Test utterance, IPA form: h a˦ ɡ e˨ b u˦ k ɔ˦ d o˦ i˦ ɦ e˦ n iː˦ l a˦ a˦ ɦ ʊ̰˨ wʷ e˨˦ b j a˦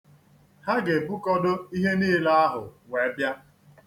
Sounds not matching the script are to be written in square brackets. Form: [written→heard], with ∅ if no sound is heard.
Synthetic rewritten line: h a˦ ɡ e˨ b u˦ k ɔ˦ d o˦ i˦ ɦ e˦ n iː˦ l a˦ a˦ ɦ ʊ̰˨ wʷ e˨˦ b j a˦